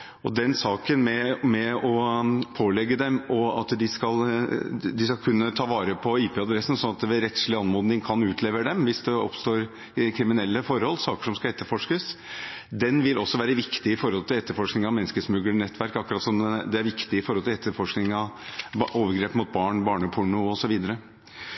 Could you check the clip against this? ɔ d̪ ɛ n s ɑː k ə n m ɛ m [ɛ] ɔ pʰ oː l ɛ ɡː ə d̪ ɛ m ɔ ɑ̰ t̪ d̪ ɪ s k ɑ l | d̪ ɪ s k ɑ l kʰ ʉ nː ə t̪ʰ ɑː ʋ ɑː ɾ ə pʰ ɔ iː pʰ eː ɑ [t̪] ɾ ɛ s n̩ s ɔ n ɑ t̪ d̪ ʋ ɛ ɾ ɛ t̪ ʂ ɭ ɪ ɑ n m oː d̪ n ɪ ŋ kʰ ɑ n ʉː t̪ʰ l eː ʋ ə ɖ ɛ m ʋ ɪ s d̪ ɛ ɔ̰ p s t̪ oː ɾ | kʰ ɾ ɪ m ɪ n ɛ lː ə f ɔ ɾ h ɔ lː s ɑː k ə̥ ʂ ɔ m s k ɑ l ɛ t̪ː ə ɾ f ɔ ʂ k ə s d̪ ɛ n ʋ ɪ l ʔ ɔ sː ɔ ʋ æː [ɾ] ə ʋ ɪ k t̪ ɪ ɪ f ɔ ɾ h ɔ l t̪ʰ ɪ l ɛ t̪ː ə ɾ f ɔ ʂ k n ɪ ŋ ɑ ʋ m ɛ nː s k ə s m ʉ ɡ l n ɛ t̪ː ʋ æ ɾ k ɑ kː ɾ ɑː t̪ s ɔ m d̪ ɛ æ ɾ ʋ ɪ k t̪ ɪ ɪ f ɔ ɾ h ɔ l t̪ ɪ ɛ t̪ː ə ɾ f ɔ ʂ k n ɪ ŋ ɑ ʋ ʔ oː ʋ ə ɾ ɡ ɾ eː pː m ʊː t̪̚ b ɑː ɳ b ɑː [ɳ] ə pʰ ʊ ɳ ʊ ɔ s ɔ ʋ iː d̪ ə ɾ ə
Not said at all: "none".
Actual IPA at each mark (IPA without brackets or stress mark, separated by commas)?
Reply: ɛ, d̪, ɾ, ɳ